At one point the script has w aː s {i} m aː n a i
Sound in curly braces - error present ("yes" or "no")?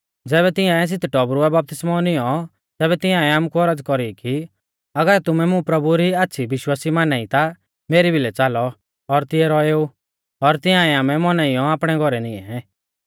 no